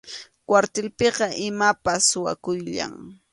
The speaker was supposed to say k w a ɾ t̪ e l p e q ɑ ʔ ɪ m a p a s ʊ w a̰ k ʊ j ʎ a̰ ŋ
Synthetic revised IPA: k w a ɾ t̪ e l p e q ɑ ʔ ɪ m a p a s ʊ w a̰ k ʊ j ʎ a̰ ŋ